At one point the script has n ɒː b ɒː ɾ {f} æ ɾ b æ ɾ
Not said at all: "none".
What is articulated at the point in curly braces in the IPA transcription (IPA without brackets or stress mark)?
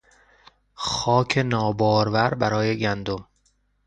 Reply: v